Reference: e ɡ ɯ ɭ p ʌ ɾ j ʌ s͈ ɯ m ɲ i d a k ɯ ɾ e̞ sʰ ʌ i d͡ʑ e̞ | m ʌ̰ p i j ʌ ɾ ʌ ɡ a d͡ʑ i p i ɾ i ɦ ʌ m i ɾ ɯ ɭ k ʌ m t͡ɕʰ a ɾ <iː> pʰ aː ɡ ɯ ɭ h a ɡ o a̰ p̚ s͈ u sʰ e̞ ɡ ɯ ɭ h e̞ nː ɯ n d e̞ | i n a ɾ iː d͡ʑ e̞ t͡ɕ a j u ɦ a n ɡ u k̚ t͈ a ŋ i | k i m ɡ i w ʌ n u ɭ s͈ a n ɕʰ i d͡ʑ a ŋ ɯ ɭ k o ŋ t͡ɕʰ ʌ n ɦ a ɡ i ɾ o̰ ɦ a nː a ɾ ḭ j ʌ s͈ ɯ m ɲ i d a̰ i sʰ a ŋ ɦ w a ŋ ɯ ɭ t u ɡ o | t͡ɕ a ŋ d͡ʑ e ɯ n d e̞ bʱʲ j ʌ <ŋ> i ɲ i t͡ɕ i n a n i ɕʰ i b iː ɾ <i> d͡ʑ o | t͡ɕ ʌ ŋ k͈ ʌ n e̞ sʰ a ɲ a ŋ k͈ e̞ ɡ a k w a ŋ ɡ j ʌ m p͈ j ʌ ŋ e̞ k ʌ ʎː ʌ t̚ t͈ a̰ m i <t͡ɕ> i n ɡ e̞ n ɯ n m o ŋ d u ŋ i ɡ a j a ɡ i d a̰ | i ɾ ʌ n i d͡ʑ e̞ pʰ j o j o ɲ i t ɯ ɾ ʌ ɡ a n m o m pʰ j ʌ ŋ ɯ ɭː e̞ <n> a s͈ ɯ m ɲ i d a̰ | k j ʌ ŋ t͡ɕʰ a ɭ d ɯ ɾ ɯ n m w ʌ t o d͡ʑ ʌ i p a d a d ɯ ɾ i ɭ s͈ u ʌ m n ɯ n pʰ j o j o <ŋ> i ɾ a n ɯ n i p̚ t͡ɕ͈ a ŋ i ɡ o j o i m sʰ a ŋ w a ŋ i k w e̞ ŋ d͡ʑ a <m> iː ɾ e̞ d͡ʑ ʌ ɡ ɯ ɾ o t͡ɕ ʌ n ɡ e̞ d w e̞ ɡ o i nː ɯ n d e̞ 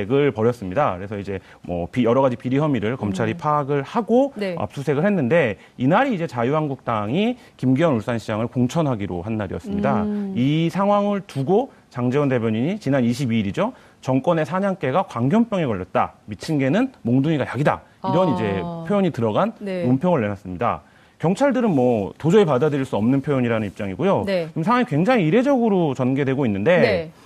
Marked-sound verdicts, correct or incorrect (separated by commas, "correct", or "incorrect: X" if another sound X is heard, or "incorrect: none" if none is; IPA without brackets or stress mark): incorrect: i, incorrect: ɲ, correct, incorrect: t͡ɕʰ, correct, incorrect: ɲ, incorrect: ŋ